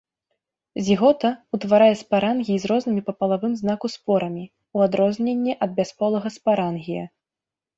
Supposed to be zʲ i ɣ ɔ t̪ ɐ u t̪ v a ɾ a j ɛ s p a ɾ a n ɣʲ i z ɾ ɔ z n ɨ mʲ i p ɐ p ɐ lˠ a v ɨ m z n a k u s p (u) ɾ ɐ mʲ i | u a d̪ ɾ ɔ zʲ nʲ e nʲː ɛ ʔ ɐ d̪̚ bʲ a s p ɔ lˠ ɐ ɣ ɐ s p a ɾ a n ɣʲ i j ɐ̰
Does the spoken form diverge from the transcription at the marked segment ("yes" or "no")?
yes